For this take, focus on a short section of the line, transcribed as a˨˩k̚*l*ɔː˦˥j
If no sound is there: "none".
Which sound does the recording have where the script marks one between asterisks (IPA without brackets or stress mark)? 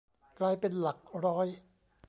ɾ